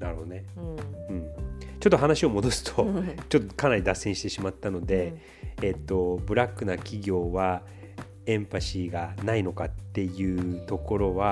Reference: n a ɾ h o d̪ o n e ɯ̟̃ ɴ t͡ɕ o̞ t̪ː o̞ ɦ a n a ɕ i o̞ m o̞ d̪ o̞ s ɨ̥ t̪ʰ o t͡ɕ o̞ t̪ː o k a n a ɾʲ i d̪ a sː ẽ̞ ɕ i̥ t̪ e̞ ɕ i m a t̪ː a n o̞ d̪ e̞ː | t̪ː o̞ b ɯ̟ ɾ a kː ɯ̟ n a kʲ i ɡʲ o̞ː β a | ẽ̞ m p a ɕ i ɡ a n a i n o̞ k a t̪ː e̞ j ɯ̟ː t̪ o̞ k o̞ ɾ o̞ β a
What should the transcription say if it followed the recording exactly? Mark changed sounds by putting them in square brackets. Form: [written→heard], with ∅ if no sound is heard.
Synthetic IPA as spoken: n a ɾ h o d̪ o n e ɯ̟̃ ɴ t͡ɕ o̞ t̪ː o̞ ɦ a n a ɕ i o̞ m o̞ d̪ o̞ s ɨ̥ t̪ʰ o t͡ɕ o̞ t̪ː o k a n a ɾʲ i d̪ a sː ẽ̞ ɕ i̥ t̪ e̞ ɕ i m a t̪ː a n o̞ d̪ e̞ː | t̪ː o̞ b ɯ̟ ɾ a kː ɯ̟ n a kʲ i ɡʲ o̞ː β a | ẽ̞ m p a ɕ i ɡ a n a i n o̞ k a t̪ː e̞ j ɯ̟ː t̪ o̞ k o̞ ɾ o̞ β a